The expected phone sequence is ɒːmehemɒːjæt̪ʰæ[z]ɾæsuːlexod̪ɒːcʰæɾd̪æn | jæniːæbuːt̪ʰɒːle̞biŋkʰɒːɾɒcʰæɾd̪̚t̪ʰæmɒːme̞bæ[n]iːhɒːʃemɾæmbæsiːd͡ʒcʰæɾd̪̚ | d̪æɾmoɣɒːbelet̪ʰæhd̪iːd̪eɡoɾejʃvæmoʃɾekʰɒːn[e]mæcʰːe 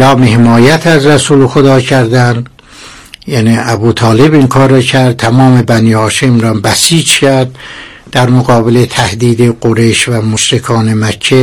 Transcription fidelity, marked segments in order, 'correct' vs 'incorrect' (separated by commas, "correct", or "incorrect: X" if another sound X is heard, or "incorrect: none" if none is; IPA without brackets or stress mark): correct, correct, correct